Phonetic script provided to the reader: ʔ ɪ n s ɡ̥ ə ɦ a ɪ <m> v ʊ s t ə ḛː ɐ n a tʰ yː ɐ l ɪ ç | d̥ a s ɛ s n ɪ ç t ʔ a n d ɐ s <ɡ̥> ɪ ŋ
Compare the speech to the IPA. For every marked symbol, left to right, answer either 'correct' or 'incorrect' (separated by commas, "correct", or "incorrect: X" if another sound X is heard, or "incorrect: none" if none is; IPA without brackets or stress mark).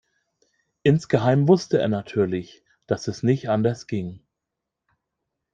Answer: correct, correct